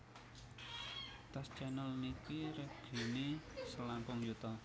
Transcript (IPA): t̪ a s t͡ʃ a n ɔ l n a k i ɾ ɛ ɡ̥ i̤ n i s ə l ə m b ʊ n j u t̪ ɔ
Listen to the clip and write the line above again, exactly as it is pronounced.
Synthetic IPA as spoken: t̪ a s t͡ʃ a n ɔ l n i k i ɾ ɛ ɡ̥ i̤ n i s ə l a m p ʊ ŋ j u t̪ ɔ